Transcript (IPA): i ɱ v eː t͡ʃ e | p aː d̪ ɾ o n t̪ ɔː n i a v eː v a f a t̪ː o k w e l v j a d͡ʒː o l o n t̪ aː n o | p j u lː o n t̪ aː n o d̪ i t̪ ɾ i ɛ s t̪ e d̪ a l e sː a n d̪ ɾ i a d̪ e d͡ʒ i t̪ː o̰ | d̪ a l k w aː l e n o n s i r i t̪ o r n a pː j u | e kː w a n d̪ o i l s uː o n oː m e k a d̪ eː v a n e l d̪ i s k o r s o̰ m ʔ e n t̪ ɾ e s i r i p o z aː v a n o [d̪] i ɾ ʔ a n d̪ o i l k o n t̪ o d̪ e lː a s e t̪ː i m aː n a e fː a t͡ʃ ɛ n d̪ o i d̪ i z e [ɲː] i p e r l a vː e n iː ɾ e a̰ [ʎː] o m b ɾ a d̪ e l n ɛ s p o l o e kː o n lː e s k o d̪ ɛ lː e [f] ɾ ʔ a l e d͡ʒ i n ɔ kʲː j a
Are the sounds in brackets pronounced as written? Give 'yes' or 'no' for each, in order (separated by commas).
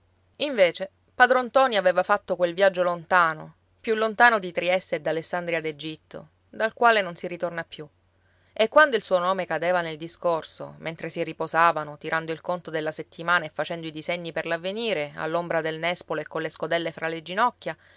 no, yes, no, yes